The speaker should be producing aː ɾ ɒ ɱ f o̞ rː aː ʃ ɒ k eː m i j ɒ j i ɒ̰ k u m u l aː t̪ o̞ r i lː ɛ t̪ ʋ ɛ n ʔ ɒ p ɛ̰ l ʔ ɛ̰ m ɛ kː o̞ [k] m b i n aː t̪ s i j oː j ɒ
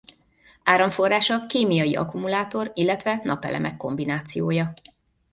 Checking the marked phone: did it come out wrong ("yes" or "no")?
yes